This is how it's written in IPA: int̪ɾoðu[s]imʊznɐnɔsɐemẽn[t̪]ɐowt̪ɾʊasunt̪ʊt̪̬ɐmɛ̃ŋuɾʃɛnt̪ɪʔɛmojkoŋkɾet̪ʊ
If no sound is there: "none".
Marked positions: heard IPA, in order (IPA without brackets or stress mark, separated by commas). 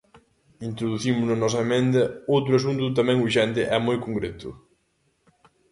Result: θ, d̪